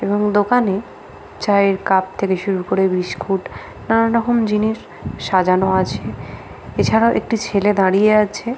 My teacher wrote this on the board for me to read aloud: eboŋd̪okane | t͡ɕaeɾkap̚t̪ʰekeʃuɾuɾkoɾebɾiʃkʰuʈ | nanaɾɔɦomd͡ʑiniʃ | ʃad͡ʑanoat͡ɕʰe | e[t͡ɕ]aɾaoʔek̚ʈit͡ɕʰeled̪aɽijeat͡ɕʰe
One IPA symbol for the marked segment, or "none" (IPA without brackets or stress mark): t͡ɕʰ